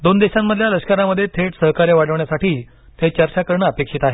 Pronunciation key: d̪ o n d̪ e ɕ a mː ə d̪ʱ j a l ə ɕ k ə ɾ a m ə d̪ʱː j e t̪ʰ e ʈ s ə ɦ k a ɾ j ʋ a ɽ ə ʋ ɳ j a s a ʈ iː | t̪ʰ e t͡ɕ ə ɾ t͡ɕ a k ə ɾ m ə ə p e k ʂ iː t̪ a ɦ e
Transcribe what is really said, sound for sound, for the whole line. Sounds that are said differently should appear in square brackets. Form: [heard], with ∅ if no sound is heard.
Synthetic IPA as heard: d̪ o n d̪ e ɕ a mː ə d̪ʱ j a l ə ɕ k ə ɾ a m ə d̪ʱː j e t̪ʰ e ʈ s ə ɦ k a ɾ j ʋ a ɽ ə ʋ ɳ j a s a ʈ iː | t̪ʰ e t͡ɕ ə ɾ t͡ɕ a k ə ɾ [ɳ] ə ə p e k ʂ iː t̪ a ɦ e